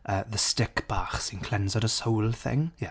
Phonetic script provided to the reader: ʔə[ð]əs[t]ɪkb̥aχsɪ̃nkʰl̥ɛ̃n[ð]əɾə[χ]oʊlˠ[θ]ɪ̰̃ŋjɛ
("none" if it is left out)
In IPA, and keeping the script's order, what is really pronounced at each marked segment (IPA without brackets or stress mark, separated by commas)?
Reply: ð, t, z, s, θ